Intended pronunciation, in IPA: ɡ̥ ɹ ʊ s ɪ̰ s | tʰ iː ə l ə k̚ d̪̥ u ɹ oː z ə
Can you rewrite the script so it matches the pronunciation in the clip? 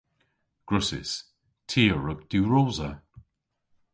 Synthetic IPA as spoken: ɡ̥ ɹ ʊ s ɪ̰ s | tʰ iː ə ɹ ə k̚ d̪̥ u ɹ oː z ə